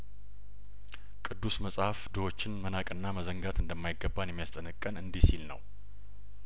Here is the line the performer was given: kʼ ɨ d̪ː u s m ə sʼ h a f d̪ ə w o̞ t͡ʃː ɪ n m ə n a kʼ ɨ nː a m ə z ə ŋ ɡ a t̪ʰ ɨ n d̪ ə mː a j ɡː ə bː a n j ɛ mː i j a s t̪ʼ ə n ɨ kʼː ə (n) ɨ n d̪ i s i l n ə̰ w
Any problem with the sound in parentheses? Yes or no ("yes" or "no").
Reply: no